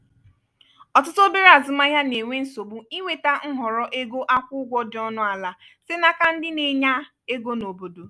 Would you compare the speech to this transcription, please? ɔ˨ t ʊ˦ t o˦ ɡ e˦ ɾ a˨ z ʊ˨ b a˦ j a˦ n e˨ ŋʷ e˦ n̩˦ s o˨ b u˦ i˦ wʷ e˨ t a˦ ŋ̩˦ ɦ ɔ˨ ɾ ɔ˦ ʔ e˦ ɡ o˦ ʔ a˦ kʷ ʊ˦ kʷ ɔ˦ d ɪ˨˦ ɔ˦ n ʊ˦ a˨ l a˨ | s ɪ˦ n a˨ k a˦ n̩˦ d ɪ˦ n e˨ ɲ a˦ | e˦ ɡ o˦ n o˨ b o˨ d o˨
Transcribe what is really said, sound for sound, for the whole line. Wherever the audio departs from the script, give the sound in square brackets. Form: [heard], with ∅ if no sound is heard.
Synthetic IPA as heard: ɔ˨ t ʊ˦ t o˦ [b] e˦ ɾ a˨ z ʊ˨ [m] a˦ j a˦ n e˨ ŋʷ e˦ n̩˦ s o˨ b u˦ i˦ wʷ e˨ t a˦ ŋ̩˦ ɦ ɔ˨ ɾ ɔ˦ ʔ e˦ ɡ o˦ ʔ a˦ kʷ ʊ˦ [ɡʷ] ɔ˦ d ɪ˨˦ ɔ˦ n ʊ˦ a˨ l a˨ | s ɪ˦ n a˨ k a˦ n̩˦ d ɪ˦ n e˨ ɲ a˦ | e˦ ɡ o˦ n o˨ b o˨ d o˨

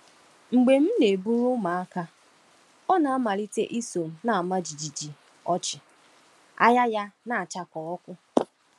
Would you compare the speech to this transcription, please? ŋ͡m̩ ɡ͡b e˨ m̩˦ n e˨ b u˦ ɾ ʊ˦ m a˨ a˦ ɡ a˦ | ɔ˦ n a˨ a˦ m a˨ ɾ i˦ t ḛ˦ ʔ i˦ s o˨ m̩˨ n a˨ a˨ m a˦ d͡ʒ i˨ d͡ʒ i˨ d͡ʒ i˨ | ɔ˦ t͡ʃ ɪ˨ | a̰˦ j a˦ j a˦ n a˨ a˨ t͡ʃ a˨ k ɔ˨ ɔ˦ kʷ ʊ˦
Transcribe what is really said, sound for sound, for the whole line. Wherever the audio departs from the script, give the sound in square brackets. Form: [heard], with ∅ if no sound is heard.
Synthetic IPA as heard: ŋ͡m̩ ɡ͡b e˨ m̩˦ n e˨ b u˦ ɾ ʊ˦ m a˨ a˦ [k] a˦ | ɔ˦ n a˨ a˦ m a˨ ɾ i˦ t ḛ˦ ʔ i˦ s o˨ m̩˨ n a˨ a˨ m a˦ d͡ʒ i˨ d͡ʒ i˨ d͡ʒ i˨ | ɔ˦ t͡ʃ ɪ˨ | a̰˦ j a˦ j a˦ n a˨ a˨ t͡ʃ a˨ k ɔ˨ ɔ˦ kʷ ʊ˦

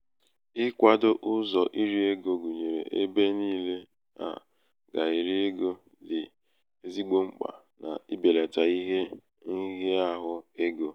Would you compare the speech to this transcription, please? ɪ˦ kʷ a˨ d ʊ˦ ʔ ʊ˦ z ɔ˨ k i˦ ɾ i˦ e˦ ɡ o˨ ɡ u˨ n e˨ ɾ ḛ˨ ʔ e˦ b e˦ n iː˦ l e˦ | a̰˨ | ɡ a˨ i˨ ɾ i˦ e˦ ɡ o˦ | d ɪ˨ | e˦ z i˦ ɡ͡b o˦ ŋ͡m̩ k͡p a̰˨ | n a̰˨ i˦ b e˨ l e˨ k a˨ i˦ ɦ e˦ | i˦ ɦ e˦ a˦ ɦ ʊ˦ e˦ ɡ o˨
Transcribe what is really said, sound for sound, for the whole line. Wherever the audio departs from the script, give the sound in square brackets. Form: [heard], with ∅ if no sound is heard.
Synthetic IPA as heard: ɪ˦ kʷ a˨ d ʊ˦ ʔ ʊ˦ z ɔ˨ [ʔ] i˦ ɾ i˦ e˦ ɡ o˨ ɡ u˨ [ɲ] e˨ ɾ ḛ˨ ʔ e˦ b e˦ n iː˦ l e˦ | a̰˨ | ɡ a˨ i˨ ɾ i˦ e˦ ɡ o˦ | d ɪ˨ | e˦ z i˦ ɡ͡b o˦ ŋ͡m̩ k͡p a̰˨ | n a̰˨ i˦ b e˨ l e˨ [t] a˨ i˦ ɦ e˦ | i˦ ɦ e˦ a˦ ɦ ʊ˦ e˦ ɡ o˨

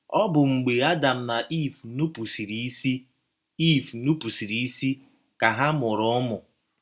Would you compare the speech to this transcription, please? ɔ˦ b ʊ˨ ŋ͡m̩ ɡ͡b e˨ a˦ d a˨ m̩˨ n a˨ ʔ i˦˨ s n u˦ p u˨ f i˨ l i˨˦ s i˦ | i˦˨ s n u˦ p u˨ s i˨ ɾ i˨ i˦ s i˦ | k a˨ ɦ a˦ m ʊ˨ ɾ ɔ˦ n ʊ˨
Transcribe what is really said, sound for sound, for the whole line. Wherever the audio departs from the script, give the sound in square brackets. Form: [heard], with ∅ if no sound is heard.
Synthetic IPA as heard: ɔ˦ b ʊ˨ ŋ͡m̩ ɡ͡b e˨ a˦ d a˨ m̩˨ n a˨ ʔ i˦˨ [f] n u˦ p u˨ [s] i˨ [ɾ] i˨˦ s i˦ | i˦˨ [f] n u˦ p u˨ s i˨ ɾ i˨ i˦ s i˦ | k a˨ ɦ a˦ m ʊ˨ ɾ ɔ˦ [m] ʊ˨

